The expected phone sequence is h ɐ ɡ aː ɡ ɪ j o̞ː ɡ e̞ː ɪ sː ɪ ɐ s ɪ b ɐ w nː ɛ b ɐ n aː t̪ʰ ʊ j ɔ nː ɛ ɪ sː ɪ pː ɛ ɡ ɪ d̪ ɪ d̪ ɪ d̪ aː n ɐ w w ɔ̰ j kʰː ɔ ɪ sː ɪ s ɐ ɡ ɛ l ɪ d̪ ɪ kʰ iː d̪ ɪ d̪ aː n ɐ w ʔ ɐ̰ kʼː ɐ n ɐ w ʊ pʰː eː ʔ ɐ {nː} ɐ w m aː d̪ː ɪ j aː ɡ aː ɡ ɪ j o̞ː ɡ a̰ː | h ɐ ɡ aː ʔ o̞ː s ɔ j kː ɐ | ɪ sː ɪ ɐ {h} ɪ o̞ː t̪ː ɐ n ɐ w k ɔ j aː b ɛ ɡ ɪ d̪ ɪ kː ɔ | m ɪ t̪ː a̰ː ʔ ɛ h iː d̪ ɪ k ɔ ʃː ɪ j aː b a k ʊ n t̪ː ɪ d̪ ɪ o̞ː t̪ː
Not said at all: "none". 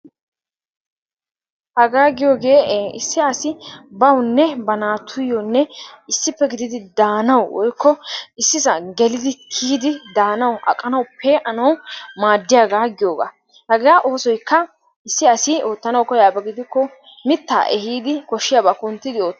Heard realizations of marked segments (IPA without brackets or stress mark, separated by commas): n, s